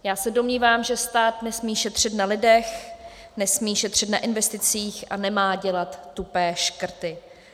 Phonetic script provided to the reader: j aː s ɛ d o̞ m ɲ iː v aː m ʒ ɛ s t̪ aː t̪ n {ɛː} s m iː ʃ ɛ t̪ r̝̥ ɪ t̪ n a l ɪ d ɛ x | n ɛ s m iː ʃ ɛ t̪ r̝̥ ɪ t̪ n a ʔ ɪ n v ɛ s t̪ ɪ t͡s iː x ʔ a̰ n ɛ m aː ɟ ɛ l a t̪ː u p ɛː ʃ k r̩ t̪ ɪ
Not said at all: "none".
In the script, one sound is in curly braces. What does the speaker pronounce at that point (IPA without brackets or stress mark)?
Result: ɛ